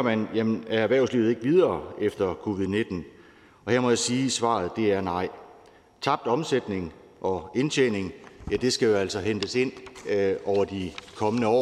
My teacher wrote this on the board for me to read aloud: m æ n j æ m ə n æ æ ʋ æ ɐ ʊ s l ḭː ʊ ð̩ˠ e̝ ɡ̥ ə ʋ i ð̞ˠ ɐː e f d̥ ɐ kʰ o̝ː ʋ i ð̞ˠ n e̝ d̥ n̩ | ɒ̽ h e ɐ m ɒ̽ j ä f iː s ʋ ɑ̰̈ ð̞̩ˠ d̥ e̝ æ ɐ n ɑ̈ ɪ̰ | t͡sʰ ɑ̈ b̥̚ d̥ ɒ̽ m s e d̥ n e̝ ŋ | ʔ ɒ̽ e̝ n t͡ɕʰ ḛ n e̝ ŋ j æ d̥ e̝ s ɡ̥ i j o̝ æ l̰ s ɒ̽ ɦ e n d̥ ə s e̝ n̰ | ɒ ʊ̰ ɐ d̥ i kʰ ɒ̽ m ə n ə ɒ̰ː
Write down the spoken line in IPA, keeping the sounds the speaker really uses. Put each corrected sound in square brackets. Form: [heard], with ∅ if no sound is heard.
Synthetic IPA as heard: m æ n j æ m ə n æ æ ʋ æ ɐ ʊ s l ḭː ʊ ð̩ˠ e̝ ɡ̥ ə ʋ i ð̞ˠ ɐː e f d̥ ɐ kʰ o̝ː ʋ i ð̞ˠ n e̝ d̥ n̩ | ɒ̽ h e ɐ m ɒ̽ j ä [s] iː s ʋ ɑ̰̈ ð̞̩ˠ d̥ e̝ æ ɐ n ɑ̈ ɪ̰ | t͡sʰ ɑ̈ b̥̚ d̥ ɒ̽ m s e d̥ n e̝ ŋ | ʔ ɒ̽ e̝ n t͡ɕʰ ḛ n e̝ ŋ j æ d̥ e̝ s ɡ̥ [æ] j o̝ æ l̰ s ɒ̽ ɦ e n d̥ ə s e̝ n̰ | ɒ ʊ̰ ɐ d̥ i kʰ ɒ̽ m ə n ə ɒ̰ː